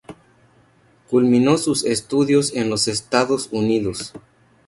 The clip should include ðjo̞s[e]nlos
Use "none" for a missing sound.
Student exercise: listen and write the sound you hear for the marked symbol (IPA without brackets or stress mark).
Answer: e